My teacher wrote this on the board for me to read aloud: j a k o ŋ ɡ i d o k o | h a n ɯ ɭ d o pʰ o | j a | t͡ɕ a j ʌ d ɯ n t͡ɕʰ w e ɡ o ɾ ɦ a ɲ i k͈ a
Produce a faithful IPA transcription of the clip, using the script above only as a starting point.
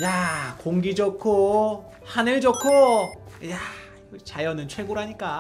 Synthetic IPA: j a k o ŋ ɡ i d͡ʑ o kʰ o | h a n ɯ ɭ d͡ʑ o kʰ o | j a | t͡ɕ a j ʌ n ɯ n t͡ɕʰ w e ɡ o ɾ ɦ a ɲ i k͈ a

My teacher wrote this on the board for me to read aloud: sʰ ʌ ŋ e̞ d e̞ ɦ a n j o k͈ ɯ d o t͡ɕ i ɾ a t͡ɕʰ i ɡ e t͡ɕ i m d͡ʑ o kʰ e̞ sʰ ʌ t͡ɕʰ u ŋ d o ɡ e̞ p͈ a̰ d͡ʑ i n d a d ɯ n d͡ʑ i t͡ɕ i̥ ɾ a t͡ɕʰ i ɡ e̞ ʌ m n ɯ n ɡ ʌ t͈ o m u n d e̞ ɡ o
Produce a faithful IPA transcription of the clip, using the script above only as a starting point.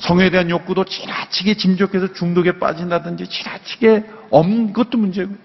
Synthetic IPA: sʰ ʌ ŋ e̞ d e̞ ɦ a n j o k͈ u d o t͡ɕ i ɾ a t͡ɕʰ i ɡ e t͡ɕ i m d͡ʑ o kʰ e̞ sʰ ʌ t͡ɕ u ŋ d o ɡ e̞ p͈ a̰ d͡ʑ i n d a d ɯ n d͡ʑ i t͡ɕ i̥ ɾ a t͡ɕʰ i ɡ e̞ ʌ m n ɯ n ɡ ʌ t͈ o m u n d͡ʑ e̞ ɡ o

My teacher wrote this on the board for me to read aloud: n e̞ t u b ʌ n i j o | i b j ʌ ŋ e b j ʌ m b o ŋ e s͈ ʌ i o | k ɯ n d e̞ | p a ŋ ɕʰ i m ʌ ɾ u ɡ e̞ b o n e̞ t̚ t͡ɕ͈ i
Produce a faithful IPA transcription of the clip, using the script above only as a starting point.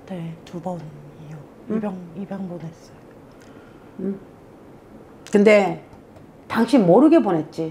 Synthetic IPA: n e̞ t u b ʌ n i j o | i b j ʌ ŋ i b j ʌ ŋ b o n e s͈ ʌ j o | k ɯ n d e̞ | t a ŋ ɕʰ i m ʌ ɾ ɯ ɡ e̞ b o n e̞ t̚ t͡ɕ͈ i

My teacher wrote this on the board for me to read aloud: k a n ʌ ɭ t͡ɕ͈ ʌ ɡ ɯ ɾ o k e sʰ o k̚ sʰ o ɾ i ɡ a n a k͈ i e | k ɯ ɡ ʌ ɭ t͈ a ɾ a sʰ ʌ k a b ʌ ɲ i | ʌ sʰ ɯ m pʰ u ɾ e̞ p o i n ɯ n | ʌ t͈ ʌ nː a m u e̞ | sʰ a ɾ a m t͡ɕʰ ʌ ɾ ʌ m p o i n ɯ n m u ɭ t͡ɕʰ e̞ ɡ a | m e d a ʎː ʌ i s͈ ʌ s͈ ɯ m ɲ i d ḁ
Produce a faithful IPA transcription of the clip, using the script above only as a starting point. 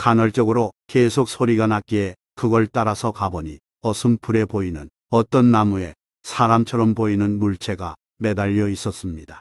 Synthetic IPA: k a n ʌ ɭ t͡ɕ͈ ʌ ɡ ɯ ɾ o k e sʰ o k̚ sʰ o ɾ i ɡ a n a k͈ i e | k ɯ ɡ ʌ ɭ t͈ a ɾ a sʰ ʌ k a b ʌ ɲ i | ʌ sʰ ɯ m pʰ u ɾ e̞ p o i n ɯ n | ʌ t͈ ʌ nː a m u e̞ | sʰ a ɾ a m t͡ɕʰ ʌ ɾ ʌ m p o i n ɯ n m u ɭ t͡ɕʰ e̞ ɡ a | m e d a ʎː ʌ i s͈ ʌ s͈ ɯ m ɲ i d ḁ

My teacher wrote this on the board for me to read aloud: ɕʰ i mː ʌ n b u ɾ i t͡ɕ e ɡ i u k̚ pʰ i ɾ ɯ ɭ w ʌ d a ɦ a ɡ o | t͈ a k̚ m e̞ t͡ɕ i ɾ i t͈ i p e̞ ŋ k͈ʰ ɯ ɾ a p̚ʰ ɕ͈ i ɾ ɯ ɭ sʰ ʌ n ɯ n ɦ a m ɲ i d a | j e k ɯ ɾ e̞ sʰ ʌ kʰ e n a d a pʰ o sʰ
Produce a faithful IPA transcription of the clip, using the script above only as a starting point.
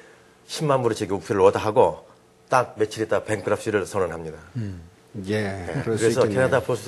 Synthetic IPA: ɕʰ i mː a n b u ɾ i t͡ɕ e ɡ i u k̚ pʰ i ɾ ɯ ɭ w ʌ d a ɦ a ɡ o | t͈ a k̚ m e̞ t͡ɕʰ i ɾ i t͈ a p e̞ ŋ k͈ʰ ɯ ɾ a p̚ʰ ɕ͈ i ɾ ɯ ɭ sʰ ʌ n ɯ n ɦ a m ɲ i d a | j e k ɯ ɾ e̞ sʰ ʌ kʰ e n a d a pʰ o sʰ

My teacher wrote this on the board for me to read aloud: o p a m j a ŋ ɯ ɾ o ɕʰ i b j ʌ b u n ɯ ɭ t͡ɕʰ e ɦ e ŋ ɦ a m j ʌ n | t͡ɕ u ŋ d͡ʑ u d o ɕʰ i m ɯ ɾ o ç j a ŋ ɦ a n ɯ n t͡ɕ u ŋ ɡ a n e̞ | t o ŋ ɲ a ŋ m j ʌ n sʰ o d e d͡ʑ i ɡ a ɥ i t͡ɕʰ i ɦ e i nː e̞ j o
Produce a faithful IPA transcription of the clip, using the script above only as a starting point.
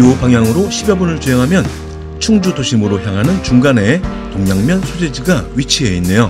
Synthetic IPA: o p a ŋ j a ŋ ɯ ɾ o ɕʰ i b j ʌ b u n ɯ ɭ t͡ɕ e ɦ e ŋ ɦ a m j ʌ n | t͡ɕʰ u ŋ d͡ʑ u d o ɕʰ i m ɯ ɾ o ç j a ŋ ɦ a n ɯ n t͡ɕ u ŋ ɡ a n e̞ | t o ŋ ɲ a ŋ m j ʌ n sʰ o d͡ʑ e d͡ʑ i ɡ a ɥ i t͡ɕʰ i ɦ e i nː e̞ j o

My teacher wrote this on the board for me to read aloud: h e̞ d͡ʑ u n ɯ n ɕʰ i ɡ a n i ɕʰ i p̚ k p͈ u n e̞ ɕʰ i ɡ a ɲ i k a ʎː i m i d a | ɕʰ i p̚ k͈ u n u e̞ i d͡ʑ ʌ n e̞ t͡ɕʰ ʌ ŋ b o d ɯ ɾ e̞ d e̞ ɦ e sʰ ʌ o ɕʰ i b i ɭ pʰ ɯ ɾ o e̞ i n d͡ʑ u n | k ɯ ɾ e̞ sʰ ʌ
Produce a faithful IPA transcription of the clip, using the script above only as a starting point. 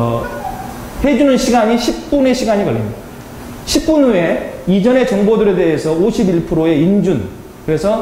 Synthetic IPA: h e̞ d͡ʑ u n ɯ n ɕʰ i ɡ a ɲ i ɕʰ i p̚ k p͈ u n e̞ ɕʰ i ɡ a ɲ i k ʌ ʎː i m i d a | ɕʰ i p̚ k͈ u n u e̞ i d͡ʑ ʌ n e̞ t͡ɕ ʌ ŋ b o d ɯ ɾ e̞ d e̞ ɦ e sʰ ʌ o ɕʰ i b i ɭ pʰ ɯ ɾ o e̞ i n d͡ʑ u n | k ɯ ɾ e̞ sʰ ʌ

